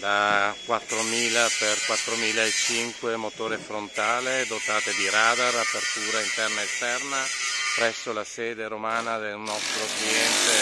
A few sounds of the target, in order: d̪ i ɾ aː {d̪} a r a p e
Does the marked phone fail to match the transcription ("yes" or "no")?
no